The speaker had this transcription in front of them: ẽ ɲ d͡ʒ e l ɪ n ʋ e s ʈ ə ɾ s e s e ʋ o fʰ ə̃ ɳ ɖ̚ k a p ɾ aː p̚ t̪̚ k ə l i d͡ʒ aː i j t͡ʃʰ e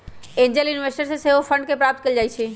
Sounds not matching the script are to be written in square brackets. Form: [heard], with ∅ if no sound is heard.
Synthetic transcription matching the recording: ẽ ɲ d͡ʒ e l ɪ n ʋ e s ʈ ə ɾ s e s e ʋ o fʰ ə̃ ɳ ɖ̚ k [e] p ɾ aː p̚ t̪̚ k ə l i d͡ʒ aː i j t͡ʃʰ e